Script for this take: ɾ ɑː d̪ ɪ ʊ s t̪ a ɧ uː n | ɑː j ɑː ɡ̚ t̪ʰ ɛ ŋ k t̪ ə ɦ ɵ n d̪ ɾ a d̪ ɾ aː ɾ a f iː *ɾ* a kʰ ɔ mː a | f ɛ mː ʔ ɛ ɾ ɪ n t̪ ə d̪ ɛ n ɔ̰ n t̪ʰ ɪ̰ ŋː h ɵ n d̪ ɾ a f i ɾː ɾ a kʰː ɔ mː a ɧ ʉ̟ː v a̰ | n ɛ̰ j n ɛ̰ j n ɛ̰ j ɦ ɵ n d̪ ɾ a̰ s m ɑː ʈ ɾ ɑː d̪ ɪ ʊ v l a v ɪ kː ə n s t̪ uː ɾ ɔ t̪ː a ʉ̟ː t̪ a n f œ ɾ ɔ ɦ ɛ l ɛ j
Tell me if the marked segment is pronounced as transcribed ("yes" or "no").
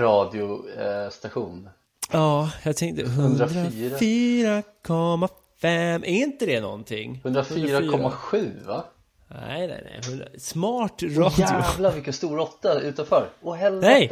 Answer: yes